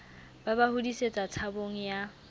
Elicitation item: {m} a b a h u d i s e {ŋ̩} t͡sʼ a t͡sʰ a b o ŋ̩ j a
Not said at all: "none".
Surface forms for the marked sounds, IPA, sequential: b, none

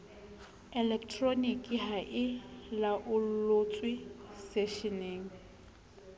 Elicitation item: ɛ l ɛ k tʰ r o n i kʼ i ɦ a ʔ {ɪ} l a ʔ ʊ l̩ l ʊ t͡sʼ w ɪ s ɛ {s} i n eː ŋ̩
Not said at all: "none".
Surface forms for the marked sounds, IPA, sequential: ɪ, ʃ

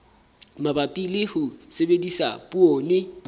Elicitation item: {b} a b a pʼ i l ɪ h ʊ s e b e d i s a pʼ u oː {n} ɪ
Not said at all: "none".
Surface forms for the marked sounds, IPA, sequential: m, n

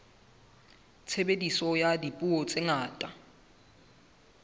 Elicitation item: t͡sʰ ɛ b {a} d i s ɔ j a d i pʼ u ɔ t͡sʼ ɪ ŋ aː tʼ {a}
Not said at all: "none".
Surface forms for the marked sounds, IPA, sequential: e, a

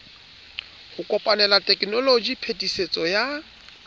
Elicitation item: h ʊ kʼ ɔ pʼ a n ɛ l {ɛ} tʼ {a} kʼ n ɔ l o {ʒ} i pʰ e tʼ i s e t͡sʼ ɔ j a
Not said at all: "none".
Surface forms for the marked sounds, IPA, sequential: a, ɛ, d͡ʒ

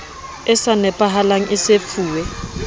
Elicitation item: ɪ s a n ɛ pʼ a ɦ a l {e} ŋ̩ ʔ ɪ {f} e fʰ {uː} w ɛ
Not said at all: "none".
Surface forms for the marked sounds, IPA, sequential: a, s, uː

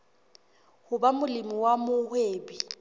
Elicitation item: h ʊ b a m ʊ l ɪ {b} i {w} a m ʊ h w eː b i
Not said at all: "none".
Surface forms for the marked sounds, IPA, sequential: m, w

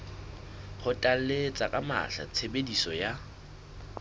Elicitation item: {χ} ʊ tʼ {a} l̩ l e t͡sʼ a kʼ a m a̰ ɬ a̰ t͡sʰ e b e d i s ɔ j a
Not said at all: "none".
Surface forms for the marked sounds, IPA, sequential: χ, a

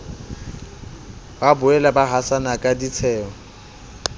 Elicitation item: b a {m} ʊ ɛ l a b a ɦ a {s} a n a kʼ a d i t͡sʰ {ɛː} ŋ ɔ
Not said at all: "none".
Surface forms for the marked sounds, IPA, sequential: b, s, ɛː

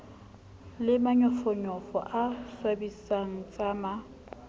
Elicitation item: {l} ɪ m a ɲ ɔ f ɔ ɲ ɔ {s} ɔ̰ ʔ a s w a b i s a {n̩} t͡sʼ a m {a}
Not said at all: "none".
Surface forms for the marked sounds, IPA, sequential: l, f, ŋ̩, a

